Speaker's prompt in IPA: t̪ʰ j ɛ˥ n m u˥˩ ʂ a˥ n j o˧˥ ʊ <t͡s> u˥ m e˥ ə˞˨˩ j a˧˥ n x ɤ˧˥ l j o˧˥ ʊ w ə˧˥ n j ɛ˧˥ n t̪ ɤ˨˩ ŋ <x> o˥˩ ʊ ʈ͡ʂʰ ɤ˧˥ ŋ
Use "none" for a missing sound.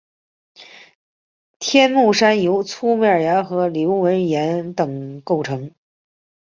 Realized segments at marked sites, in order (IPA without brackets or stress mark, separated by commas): t͡sʰ, k